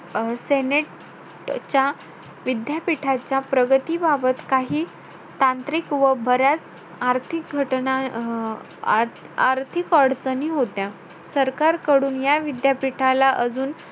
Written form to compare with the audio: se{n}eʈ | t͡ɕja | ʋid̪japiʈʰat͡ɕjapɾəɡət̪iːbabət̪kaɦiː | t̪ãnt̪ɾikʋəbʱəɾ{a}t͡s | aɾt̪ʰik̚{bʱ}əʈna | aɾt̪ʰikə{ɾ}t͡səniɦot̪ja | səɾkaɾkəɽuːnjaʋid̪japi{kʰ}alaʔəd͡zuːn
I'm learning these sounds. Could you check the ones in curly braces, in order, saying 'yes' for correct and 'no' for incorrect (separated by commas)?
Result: yes, yes, no, no, no